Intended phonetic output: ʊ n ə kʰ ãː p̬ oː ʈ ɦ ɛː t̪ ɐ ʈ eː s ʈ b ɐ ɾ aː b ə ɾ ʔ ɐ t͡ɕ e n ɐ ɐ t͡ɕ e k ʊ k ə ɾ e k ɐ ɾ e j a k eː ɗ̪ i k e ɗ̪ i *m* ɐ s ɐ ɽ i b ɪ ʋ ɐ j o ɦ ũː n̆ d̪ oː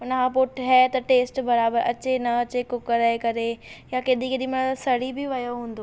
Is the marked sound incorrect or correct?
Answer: correct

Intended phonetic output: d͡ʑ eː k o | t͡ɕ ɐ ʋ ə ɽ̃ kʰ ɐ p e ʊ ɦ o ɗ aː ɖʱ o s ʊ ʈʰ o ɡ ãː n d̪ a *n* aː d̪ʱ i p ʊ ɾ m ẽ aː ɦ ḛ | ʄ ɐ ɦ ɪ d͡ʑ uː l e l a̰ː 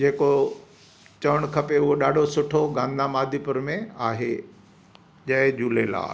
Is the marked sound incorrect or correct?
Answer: incorrect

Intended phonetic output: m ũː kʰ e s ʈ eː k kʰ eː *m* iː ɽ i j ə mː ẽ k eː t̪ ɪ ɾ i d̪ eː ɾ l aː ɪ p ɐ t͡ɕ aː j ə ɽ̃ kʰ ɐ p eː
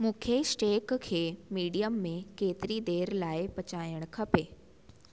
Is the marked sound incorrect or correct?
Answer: correct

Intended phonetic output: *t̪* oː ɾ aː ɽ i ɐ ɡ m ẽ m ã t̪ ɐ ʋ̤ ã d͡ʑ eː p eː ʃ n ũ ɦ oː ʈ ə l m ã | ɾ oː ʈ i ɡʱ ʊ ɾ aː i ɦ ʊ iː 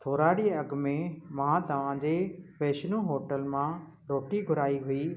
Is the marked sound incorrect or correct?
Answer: incorrect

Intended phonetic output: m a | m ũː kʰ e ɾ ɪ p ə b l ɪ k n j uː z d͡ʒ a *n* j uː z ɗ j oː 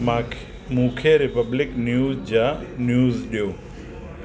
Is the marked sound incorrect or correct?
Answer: correct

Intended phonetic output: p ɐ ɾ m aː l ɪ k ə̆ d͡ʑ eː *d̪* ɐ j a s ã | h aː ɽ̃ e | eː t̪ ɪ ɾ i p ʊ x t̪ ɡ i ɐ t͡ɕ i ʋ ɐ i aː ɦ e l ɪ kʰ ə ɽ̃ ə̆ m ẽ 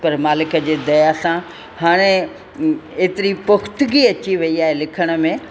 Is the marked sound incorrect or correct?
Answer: correct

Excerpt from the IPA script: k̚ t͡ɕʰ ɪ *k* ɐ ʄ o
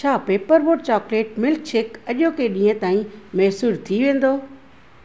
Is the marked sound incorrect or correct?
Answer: correct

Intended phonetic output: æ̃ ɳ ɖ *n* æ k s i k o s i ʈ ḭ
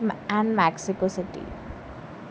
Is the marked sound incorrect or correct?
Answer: incorrect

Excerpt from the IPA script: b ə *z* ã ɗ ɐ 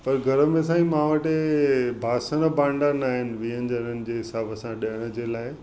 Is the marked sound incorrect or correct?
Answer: incorrect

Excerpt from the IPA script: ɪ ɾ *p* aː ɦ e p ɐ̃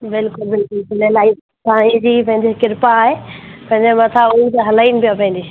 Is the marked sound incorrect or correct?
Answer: correct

